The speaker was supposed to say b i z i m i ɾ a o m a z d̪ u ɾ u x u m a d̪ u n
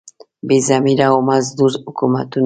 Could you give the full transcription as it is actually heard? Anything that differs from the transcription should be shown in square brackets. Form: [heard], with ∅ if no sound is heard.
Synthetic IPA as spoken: b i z [a] m i ɾ a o m a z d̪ u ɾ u [k] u m a [t̪] u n

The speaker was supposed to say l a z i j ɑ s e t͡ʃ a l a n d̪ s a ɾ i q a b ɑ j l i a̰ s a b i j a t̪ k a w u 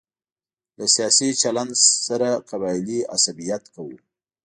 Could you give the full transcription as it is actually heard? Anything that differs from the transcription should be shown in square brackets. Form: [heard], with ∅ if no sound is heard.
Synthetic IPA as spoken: l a [s] i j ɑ s [i] t͡ʃ a l a n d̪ s a ɾ [a] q a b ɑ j l i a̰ s a b i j a t̪ k a w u

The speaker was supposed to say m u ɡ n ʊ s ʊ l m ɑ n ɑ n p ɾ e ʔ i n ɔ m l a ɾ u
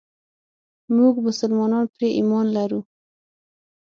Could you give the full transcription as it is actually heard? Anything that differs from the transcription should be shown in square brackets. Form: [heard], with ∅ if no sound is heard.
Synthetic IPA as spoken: m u ɡ [m] ʊ s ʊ l m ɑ n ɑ n p ɾ e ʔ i [m] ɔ [n] l a ɾ u

